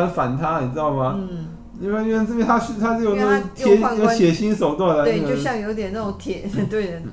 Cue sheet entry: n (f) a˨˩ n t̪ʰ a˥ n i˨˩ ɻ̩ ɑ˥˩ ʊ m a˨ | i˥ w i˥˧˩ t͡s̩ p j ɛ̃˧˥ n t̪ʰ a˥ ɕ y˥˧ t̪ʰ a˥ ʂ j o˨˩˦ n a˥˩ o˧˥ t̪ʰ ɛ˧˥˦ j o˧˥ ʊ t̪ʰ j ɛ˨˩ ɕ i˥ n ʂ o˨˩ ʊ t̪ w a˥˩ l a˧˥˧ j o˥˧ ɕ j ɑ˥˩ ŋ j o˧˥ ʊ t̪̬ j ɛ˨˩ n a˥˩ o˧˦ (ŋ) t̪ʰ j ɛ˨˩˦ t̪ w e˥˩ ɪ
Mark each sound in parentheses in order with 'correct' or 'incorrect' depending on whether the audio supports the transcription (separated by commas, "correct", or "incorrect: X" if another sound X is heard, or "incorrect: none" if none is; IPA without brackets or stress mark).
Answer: correct, correct